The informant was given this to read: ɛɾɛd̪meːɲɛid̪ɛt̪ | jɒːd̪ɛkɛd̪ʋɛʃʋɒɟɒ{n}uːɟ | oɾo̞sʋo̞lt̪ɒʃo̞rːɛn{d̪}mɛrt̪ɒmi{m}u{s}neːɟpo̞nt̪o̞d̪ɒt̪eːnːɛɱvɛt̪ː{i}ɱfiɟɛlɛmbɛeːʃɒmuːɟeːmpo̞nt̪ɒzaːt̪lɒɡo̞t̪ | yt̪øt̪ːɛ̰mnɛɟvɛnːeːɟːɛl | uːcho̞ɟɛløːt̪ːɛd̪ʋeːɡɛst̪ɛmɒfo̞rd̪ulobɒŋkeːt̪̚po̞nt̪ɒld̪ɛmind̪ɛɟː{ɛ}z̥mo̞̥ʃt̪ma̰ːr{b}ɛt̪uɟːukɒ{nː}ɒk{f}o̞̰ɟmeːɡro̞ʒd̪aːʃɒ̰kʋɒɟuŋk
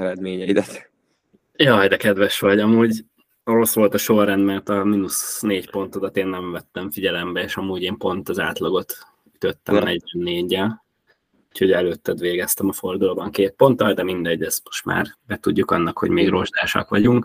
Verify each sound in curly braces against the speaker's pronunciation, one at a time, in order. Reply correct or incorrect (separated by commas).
incorrect, correct, incorrect, correct, incorrect, correct, correct, correct, incorrect